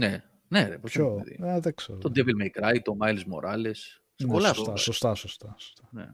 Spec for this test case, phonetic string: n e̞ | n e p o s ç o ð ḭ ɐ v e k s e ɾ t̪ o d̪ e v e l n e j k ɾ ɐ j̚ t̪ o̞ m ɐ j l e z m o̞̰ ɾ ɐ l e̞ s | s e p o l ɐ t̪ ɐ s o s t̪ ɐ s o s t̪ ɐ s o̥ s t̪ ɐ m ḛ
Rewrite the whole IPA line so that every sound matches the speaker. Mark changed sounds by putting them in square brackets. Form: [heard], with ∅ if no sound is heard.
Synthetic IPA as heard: n e̞ | n e p o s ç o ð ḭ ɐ [ð] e k s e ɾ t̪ o d̪ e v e l [m] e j k ɾ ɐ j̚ t̪ o̞ m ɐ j l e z m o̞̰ ɾ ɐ l e̞ s | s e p o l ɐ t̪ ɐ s o s t̪ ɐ s o s t̪ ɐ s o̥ s t̪ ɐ [n] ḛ